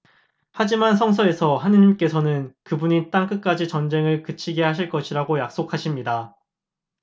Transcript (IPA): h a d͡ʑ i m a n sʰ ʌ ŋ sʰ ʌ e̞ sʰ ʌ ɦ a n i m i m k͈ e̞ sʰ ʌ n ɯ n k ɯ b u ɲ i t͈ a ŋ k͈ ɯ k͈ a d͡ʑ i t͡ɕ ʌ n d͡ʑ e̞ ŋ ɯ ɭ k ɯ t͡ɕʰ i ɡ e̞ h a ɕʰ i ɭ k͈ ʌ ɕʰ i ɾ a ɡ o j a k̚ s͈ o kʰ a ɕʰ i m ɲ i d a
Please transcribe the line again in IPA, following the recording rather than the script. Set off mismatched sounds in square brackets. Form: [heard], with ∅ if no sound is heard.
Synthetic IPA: h a d͡ʑ i m a n sʰ ʌ ŋ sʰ ʌ e̞ sʰ ʌ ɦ a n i [ɲ] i m k͈ e̞ sʰ ʌ n ɯ n k ɯ b u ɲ i t͈ a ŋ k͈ ɯ k͈ a d͡ʑ i t͡ɕ ʌ n d͡ʑ e̞ ŋ ɯ ɭ k ɯ t͡ɕʰ i ɡ e̞ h a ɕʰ i ɭ k͈ ʌ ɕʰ i ɾ a ɡ o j a k̚ s͈ o kʰ a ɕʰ i m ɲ i d a

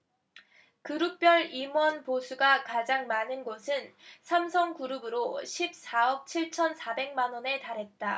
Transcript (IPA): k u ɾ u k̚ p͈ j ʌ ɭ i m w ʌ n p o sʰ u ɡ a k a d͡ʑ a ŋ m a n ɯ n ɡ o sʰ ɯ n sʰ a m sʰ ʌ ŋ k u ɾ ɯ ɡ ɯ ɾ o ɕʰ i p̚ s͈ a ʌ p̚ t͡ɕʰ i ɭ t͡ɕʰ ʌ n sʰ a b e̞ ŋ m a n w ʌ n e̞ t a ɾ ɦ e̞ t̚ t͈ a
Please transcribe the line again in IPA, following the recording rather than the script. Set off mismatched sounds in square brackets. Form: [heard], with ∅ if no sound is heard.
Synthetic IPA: k [ɯ] ɾ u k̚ p͈ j ʌ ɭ i m w ʌ n p o sʰ u ɡ a k a d͡ʑ a ŋ m a n ɯ n ɡ o sʰ ɯ n sʰ a m sʰ ʌ ŋ k u ɾ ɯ [b] ɯ ɾ o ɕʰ i p̚ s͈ a ʌ p̚ t͡ɕʰ i ɭ t͡ɕʰ ʌ n sʰ a b e̞ ŋ m a n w ʌ n e̞ t a ɾ ɦ e̞ t̚ t͈ a

